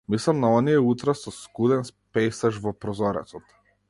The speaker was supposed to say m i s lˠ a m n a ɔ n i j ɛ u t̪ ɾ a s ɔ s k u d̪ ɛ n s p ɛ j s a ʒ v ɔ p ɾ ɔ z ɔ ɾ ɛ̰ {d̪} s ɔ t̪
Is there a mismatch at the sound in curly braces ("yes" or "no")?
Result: yes